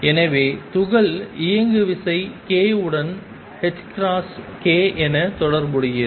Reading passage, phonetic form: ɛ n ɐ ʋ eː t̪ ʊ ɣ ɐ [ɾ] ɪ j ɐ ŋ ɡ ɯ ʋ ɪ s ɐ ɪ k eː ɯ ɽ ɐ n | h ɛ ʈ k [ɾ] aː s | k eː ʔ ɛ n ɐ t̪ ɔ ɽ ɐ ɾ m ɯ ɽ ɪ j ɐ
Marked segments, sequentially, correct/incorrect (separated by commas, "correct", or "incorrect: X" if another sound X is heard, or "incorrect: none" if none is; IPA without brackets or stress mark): incorrect: ɭ, correct